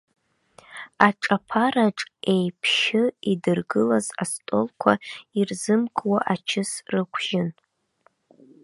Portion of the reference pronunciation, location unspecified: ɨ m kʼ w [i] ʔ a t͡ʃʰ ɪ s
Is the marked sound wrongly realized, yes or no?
yes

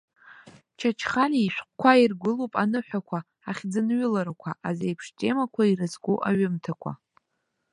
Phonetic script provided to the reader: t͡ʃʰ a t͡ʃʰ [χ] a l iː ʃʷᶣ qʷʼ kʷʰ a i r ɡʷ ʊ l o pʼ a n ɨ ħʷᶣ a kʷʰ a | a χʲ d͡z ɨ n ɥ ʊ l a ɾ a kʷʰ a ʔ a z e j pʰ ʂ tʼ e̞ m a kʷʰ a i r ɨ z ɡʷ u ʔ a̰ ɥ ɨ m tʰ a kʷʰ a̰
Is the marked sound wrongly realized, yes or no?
no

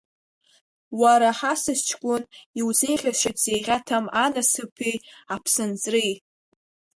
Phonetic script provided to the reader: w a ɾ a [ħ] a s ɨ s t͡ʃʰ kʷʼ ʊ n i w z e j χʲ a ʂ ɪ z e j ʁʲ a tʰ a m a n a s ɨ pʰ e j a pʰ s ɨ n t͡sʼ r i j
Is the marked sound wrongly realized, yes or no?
no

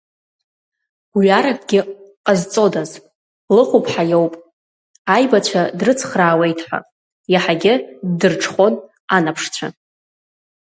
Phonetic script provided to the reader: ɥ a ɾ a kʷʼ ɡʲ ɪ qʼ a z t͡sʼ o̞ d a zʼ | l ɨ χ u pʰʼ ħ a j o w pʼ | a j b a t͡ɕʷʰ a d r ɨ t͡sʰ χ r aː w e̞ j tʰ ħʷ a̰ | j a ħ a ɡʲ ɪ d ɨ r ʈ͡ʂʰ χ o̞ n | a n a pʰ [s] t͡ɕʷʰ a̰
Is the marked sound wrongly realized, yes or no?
yes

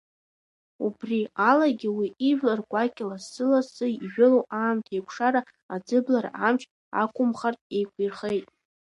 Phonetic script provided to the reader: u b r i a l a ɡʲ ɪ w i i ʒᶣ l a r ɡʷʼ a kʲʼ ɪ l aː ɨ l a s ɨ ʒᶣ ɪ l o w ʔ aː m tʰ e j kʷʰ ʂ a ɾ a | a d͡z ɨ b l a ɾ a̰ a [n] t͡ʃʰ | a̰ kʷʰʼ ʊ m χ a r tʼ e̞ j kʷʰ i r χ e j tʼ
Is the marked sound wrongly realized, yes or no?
yes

